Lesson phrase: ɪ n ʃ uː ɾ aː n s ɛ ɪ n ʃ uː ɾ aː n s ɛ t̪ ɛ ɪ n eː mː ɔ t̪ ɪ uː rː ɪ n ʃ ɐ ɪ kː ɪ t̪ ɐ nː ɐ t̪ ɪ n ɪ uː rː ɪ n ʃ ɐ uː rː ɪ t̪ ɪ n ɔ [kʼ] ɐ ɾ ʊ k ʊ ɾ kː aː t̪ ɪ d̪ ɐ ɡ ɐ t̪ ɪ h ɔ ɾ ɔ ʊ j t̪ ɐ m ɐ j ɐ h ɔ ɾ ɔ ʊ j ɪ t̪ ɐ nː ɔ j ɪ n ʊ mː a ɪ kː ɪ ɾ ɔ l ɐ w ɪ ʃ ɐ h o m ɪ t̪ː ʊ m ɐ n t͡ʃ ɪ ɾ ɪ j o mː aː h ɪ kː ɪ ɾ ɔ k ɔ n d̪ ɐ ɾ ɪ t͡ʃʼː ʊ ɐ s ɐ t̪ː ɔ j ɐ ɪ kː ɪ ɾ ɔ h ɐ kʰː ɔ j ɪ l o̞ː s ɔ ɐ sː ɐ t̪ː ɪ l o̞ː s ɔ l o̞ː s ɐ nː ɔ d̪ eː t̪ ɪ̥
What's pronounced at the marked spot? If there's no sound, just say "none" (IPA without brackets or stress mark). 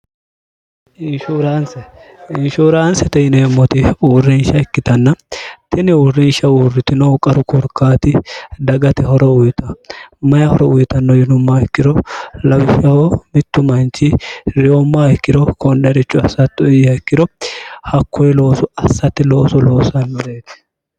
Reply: kʼ